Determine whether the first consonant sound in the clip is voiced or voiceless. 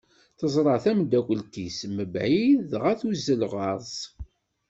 voiceless